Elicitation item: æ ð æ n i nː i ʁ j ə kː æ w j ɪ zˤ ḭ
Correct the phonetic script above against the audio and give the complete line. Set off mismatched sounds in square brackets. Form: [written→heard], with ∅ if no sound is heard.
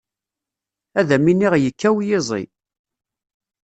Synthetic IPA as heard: æ ð æ [n→m] i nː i ʁ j ə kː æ w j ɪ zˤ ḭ